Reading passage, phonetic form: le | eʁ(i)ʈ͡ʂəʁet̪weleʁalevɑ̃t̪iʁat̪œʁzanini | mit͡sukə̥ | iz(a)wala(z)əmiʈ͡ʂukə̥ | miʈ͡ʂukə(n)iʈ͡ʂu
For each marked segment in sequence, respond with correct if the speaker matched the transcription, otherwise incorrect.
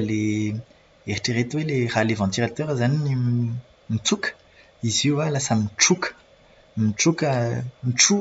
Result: correct, incorrect, incorrect, incorrect

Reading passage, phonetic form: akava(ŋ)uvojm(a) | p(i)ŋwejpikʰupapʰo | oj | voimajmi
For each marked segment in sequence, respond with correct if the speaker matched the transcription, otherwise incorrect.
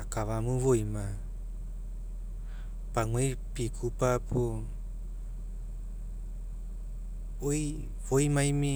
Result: incorrect, correct, incorrect

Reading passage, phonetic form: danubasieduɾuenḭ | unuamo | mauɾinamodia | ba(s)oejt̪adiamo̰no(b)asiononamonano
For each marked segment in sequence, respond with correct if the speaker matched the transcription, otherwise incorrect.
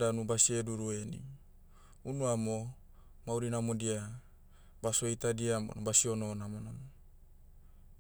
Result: correct, correct

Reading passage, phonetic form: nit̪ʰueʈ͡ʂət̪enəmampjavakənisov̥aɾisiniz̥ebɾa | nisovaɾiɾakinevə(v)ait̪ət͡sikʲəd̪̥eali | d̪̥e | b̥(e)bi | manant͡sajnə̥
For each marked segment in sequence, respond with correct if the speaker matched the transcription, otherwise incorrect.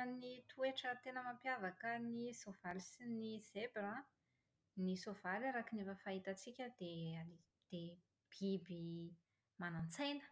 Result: incorrect, incorrect

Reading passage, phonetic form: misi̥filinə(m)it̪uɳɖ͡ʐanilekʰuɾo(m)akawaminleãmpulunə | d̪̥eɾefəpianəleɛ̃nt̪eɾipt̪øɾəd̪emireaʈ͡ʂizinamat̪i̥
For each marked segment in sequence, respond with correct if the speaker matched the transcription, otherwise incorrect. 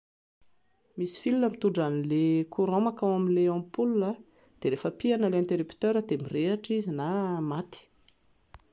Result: correct, correct

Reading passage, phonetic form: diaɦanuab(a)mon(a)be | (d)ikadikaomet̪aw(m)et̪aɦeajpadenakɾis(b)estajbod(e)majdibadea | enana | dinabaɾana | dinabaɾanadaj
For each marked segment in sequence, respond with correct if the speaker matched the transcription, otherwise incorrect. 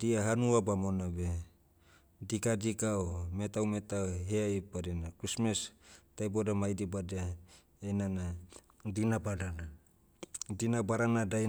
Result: correct, correct, correct, correct, incorrect, incorrect

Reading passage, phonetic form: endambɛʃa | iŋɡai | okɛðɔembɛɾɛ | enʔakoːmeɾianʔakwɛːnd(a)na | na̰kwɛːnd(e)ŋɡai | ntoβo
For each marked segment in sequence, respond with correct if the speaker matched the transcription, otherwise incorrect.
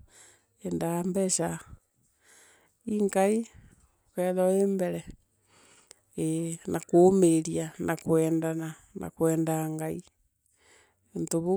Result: correct, incorrect

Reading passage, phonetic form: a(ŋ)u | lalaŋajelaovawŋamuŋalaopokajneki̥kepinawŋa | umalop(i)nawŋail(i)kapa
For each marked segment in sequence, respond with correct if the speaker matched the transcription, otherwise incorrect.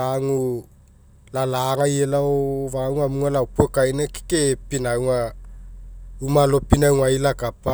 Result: correct, correct, incorrect

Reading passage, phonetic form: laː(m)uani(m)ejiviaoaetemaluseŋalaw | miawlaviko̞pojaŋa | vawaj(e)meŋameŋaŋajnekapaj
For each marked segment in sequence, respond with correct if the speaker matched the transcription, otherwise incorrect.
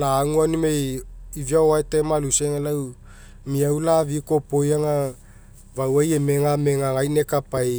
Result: incorrect, correct, correct

